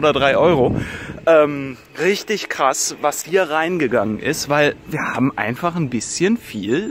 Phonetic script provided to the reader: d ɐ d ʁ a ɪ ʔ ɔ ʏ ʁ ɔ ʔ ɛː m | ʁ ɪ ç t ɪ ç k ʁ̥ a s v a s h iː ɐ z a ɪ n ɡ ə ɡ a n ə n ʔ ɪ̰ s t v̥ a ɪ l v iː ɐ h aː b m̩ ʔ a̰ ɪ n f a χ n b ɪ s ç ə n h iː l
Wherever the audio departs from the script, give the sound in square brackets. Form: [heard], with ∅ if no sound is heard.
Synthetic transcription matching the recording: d ɐ d ʁ a ɪ ʔ ɔ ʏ ʁ [o] ʔ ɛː m | ʁ ɪ ç t ɪ ç k ʁ̥ a s v a s h iː ɐ [ʁ] a ɪ n ɡ ə ɡ a [ŋ] ə n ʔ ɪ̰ s t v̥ a ɪ l v iː ɐ h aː b m̩ ʔ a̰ ɪ n f a χ n b ɪ s ç ə n [f] iː l